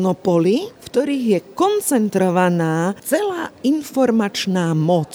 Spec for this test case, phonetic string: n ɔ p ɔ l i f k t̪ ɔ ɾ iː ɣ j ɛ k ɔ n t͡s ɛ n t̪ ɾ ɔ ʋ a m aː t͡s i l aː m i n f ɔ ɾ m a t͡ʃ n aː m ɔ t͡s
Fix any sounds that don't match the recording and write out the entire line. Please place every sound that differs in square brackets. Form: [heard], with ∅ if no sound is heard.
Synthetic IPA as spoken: n ɔ p ɔ l i f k t̪ ɔ ɾ iː ɣ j ɛ k ɔ n t͡s ɛ n t̪ ɾ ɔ ʋ a [n] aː t͡s [ɛ] l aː [∅] i n f ɔ ɾ m a t͡ʃ n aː m ɔ t͡s